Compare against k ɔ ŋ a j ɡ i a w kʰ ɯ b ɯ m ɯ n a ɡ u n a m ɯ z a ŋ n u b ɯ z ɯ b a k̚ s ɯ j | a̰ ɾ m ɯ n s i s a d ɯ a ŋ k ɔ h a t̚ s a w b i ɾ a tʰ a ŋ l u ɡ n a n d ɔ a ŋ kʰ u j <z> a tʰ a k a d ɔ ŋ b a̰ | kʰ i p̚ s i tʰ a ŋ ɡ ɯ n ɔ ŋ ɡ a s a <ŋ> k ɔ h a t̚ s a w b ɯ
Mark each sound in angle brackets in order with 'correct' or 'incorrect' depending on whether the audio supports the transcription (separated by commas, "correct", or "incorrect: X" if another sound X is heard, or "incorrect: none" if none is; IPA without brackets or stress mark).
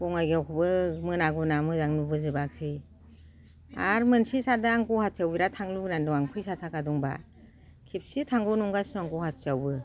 incorrect: s, correct